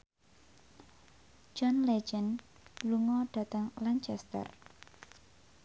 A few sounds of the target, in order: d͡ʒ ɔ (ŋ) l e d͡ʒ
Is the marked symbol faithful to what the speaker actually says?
no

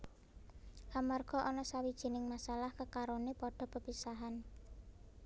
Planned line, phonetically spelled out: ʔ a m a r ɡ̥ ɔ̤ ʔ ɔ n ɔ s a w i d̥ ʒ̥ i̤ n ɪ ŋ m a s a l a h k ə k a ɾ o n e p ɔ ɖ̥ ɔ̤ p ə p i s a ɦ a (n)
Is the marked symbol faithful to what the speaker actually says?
yes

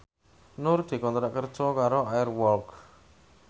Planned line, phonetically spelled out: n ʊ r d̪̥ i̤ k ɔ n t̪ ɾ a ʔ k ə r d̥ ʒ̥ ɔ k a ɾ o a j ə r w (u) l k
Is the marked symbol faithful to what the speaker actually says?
no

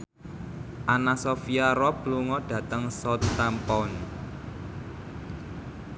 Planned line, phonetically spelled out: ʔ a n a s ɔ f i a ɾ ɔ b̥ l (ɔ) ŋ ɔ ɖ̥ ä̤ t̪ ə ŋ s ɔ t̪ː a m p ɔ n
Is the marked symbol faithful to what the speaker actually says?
no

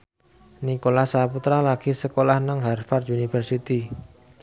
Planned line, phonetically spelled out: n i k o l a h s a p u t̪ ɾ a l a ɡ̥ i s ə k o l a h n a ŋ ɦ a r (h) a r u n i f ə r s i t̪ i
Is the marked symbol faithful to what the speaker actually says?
no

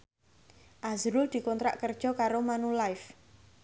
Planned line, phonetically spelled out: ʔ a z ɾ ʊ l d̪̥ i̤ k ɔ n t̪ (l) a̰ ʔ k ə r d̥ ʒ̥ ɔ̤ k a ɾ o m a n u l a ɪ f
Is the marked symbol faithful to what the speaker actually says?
no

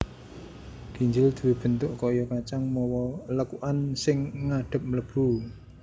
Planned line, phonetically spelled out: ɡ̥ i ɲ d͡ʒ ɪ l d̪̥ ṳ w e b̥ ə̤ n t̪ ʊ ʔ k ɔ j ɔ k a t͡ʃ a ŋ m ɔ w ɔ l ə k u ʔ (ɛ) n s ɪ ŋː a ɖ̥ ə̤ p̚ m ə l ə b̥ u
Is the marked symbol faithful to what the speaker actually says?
no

